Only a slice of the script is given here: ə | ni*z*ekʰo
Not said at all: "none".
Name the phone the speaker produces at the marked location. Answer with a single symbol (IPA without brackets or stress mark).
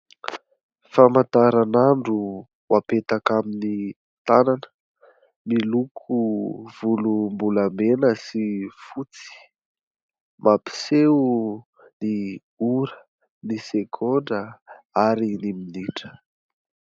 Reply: s